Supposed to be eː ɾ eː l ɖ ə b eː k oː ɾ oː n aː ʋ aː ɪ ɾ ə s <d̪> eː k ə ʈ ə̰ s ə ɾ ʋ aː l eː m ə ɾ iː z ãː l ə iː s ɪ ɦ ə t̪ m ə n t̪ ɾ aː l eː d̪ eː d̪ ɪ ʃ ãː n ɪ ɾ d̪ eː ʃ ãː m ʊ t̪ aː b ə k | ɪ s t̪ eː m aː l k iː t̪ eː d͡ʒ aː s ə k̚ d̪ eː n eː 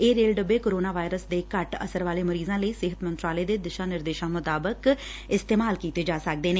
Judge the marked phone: correct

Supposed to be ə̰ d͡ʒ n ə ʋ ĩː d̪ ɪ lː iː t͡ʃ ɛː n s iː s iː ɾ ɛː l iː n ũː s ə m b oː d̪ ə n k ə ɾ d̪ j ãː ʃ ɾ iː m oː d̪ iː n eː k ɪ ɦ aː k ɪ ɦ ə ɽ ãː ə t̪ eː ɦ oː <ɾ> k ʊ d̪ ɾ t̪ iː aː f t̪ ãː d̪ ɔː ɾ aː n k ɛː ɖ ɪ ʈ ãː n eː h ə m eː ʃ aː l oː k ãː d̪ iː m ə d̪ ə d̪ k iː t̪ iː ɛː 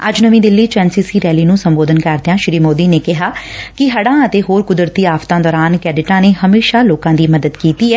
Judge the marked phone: correct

